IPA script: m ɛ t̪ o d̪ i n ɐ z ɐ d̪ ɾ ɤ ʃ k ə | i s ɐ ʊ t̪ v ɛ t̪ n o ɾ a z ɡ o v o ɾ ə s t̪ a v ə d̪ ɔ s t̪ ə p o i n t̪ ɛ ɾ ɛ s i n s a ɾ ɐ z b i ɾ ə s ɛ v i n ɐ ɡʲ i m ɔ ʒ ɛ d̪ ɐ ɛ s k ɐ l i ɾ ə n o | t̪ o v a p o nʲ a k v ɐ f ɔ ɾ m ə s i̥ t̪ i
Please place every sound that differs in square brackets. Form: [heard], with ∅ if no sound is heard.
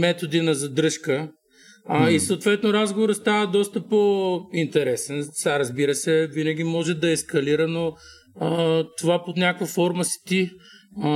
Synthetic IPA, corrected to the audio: m ɛ t̪ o d̪ i n ɐ z ɐ d̪ ɾ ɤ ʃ k ə | i s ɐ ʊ t̪ v ɛ t̪ n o ɾ a z ɡ o v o ɾ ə s t̪ a v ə d̪ ɔ s t̪ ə p o i n t̪ ɛ ɾ ɛ s [ɛ] n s a ɾ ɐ z b i ɾ ə s ɛ v i n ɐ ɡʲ i m ɔ ʒ ɛ d̪ ɐ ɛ s k ɐ l i ɾ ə n o | t̪ o v a p o nʲ a k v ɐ f ɔ ɾ m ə s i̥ t̪ i